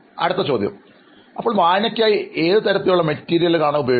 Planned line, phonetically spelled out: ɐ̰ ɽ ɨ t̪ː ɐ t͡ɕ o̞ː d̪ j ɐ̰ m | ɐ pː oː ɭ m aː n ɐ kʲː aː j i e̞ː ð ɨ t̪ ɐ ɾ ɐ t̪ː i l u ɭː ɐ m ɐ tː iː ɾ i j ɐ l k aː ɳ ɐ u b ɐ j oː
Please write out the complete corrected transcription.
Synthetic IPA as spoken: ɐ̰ ɽ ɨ t̪ː ɐ t͡ɕ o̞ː d̪ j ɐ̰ m | ɐ pː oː ɭ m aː n ɐ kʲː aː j i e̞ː ð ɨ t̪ ɐ ɾ ɐ t̪ː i l u ɭː ɐ m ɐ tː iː ɾ i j ɐ l k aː ɳ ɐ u b ɐ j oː